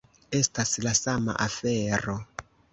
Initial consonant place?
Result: alveolar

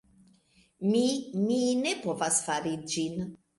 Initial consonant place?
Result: labial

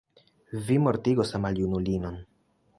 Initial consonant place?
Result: labial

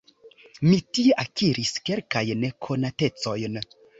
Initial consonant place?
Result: labial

